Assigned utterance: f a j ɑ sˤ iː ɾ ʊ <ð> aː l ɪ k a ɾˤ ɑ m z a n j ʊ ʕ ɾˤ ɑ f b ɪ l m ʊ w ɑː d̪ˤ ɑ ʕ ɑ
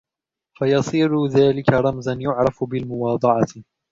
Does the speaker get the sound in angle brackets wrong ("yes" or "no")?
no